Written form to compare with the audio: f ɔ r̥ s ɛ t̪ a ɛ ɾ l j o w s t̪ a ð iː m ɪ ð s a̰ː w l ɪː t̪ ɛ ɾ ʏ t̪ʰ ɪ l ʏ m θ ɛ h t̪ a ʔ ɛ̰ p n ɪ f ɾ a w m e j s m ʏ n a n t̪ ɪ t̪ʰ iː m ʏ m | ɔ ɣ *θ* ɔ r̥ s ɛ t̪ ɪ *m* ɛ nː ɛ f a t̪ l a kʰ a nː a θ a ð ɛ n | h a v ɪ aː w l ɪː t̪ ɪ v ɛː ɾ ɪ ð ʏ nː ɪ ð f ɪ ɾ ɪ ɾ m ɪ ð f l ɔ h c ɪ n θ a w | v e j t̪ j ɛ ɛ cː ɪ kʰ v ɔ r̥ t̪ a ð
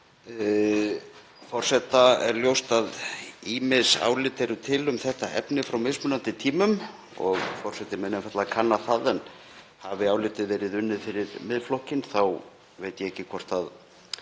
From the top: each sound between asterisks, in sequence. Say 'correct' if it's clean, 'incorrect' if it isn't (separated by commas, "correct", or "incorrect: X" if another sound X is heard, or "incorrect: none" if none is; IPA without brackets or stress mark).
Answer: incorrect: f, correct